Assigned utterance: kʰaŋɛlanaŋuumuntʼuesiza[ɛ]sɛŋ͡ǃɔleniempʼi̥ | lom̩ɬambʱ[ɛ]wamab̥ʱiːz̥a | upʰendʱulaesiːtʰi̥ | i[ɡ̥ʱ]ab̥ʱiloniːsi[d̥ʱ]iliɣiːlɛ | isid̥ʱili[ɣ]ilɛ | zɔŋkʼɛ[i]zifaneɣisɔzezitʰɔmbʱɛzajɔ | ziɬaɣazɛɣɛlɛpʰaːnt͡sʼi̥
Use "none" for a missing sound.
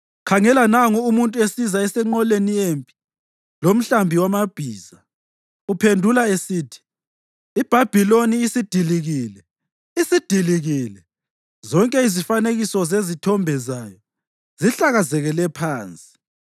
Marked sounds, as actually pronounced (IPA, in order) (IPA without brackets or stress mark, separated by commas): ɛ, i, b̥ʱ, d̥ʱ, ɣ, i